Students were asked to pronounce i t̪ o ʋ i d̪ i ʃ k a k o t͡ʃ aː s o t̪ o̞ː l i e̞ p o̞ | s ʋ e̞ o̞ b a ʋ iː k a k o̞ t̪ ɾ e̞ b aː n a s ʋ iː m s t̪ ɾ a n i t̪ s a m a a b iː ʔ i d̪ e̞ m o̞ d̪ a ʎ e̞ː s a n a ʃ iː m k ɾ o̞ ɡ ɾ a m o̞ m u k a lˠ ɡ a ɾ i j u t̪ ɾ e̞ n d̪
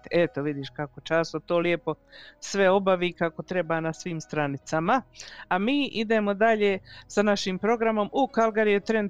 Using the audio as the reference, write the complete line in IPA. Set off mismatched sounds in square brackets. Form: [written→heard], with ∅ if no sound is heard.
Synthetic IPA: [i→e] t̪ o ʋ i d̪ i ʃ k a k o t͡ʃ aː s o t̪ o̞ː l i e̞ p o̞ | s ʋ e̞ o̞ b a ʋ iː k a k o̞ t̪ ɾ e̞ b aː n a s ʋ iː m s t̪ ɾ a n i t̪ s a m a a [b→m] iː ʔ i d̪ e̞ m o̞ d̪ a ʎ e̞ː s a n a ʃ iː m [k→p] ɾ o̞ ɡ ɾ a m o̞ m u k a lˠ ɡ a ɾ i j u t̪ ɾ e̞ n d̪